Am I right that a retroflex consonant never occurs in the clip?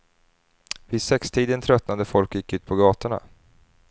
no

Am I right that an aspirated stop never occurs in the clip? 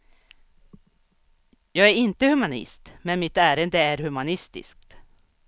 yes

